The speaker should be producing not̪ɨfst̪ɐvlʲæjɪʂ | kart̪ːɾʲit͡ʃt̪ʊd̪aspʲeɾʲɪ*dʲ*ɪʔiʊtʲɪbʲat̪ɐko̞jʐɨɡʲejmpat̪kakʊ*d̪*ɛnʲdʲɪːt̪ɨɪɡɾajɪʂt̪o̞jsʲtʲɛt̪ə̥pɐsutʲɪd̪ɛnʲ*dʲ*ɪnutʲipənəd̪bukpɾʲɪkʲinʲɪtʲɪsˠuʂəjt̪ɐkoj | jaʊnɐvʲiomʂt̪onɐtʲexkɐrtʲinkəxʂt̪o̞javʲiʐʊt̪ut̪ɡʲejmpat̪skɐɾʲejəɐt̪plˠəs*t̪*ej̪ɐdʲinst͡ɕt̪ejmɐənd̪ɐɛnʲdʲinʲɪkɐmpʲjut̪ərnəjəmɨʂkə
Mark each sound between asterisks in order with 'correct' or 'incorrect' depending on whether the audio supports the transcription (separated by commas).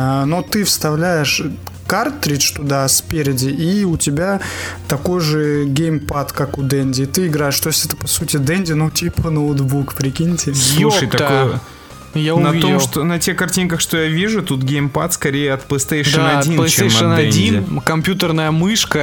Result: correct, correct, correct, correct